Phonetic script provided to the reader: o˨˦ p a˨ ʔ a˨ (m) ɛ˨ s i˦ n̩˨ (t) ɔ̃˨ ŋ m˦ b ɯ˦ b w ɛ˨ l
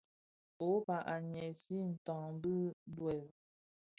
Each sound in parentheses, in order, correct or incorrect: incorrect: ɲ, correct

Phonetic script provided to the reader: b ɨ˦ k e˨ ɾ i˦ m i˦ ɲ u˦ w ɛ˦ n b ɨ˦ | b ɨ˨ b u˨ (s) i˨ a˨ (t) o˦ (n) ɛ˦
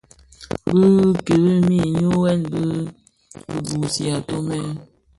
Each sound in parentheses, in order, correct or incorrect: correct, correct, incorrect: m

